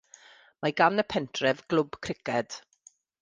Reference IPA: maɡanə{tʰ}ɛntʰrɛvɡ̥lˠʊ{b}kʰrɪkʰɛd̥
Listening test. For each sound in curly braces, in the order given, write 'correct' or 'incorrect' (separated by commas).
incorrect, correct